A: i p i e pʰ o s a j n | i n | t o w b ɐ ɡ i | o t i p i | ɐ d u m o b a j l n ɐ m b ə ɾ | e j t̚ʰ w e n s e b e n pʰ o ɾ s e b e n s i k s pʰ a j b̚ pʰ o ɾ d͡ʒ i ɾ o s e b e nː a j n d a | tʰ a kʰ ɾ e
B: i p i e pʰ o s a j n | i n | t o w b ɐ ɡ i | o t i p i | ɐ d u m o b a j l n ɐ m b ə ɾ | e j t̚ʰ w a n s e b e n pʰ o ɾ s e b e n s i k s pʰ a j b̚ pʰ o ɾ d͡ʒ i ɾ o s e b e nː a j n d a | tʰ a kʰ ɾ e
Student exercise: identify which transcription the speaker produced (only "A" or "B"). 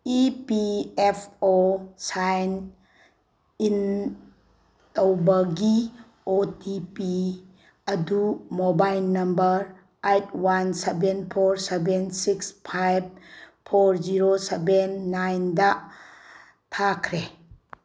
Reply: B